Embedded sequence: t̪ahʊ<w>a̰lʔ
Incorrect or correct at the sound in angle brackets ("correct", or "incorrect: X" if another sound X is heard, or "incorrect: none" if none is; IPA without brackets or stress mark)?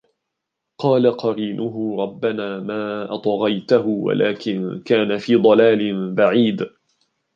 correct